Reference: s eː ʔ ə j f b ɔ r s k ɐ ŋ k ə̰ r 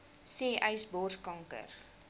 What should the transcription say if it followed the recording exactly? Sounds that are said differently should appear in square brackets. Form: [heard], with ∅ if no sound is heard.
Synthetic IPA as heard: s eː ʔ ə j [s] b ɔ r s k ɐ ŋ k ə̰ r